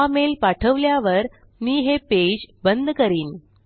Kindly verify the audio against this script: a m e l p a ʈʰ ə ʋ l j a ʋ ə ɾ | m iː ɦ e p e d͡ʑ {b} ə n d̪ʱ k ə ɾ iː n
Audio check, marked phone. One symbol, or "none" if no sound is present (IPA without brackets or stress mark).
b